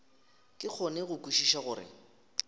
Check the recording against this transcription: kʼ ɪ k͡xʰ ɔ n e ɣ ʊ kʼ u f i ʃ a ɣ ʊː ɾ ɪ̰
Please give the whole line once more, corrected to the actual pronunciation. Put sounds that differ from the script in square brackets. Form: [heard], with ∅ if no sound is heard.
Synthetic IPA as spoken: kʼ ɪ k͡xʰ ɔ n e ɣ ʊ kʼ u [ʃ] i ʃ a ɣ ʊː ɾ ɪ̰